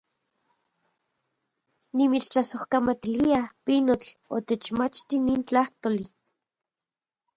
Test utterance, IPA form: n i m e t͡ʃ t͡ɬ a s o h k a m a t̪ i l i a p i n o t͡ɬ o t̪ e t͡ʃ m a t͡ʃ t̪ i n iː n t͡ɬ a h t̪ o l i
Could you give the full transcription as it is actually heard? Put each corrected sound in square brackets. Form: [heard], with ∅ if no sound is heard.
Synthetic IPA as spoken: n i m [i] t͡ʃ t͡ɬ a s o h k a m a t̪ i l i a p i n o t͡ɬ o t̪ e t͡ʃ m a t͡ʃ t̪ i n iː n t͡ɬ a h t̪ o l i

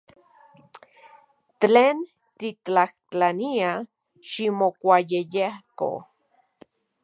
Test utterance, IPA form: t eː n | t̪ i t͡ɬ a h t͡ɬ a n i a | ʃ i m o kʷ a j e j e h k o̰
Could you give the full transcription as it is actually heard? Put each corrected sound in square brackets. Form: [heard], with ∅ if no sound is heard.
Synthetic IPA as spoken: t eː n | t̪ i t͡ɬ a h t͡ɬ a n i a | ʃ i m o kʷ a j e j e h k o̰

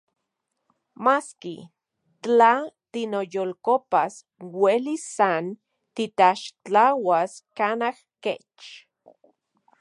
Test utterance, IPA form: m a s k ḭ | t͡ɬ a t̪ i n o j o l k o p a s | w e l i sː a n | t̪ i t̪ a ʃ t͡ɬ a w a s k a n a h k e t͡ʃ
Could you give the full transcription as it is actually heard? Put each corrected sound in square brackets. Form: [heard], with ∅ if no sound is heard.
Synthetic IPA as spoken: m a s k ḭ | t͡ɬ a t̪ i n o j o l k o p a s | w e l i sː a n | t̪ i t̪ a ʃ t͡ɬ a w a s k a n a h k e t͡ʃ

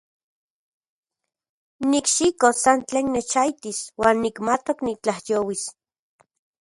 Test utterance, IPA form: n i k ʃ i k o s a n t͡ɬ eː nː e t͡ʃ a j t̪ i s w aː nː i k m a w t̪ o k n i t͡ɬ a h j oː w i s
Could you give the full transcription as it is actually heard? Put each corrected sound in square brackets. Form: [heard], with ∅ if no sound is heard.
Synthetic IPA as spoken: n i k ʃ i k o s a n t͡ɬ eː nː e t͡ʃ a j t̪ i s w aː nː i k m a [∅] t̪ o k n i t͡ɬ a h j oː w i s

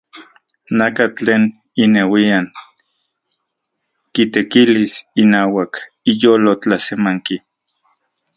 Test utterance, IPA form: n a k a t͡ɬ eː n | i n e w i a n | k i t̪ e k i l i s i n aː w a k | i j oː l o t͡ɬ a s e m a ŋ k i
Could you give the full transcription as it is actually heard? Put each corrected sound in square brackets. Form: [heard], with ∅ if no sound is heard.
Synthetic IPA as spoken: n a k a t͡ɬ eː n | i n e w i a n | k i t̪ e k i l i s i n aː w a k | i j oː l o t͡ɬ a s e m a ŋ k i

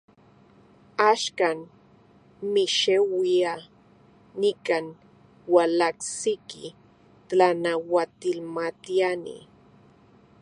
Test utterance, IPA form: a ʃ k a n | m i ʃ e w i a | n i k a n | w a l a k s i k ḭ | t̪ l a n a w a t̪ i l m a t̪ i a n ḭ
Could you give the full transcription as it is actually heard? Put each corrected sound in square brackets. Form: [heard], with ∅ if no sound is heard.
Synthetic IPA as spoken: a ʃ k a n | m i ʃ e w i a | n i k a n | w a l a k s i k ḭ | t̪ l a n a w a t̪ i l m a t̪ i a n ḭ

